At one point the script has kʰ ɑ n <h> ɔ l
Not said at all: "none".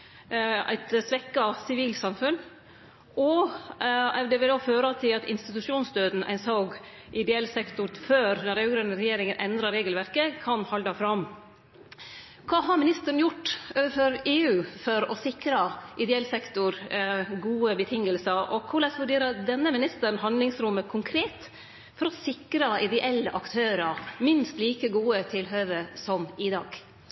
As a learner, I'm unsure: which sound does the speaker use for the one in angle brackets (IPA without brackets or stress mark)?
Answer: h